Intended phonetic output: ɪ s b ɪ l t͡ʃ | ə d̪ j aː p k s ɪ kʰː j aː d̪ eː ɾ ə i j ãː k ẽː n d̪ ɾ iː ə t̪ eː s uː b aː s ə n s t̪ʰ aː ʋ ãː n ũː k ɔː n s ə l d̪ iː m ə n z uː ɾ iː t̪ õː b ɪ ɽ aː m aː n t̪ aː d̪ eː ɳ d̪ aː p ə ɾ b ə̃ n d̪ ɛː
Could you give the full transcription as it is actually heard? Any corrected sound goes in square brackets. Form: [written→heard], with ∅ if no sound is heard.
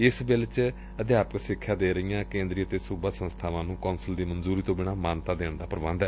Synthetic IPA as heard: ɪ s b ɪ l t͡ʃ | ə d̪ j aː p k s ɪ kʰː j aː d̪ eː ɾ ə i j ãː k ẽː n d̪ ɾ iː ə t̪ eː s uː b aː s ə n s t̪ʰ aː ʋ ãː n ũː k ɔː n s ə l d̪ iː m ə n z uː ɾ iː t̪ õː b ɪ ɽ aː m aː n t̪ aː d̪ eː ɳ d̪ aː p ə ɾ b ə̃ n d̪ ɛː